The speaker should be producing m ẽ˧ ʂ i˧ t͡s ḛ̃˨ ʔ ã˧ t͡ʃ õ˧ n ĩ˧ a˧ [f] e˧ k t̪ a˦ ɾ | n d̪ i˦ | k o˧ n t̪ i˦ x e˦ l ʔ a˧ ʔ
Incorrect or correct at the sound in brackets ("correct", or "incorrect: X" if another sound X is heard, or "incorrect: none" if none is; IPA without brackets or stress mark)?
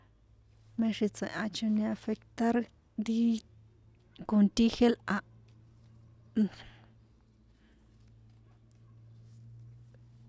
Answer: correct